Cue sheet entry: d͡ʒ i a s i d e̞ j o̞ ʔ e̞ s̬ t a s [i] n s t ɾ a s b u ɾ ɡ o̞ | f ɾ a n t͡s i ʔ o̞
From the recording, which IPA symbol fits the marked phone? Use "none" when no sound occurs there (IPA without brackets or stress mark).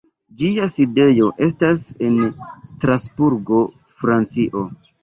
e